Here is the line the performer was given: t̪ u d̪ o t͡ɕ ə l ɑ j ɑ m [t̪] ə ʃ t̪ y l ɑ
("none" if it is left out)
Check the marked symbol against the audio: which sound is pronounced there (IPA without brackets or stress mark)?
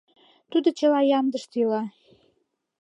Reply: d̪